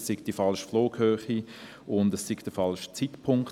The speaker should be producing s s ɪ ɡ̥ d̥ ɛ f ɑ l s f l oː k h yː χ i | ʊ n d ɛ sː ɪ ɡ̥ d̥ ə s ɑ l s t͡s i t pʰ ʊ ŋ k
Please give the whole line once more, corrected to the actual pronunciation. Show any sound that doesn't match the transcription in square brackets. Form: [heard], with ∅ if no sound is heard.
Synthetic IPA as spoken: s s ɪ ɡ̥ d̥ [i] f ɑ l [ʃ] f l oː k h [øː] χ i | ʊ n d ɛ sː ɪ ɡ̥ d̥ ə [f] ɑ l [ʃ] t͡s i t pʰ ʊ ŋ k